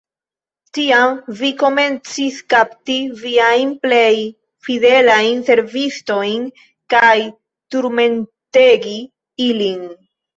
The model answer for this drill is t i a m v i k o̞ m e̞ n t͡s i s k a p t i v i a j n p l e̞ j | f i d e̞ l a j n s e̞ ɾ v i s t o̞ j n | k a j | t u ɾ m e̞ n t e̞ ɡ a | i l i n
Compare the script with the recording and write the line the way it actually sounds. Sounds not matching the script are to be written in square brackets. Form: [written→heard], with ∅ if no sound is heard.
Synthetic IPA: t i a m v i k o̞ m e̞ n t͡s i s k a p t i v i a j n p l e̞ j | f i d e̞ l a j n s e̞ ɾ v i s t o̞ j n | k a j | t u ɾ m e̞ n t e̞ ɡ [a→i] | i l i n